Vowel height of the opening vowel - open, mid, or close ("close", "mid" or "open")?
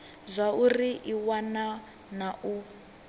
open